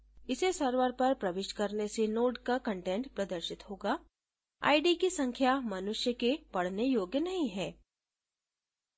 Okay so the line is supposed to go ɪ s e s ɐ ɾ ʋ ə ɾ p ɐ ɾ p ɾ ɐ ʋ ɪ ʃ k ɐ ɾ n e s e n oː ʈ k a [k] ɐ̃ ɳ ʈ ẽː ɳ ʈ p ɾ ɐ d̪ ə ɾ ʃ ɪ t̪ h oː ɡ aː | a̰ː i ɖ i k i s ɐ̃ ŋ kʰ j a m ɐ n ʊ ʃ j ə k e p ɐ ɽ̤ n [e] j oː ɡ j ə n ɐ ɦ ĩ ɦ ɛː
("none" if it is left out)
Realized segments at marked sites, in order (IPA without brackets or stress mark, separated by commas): k, e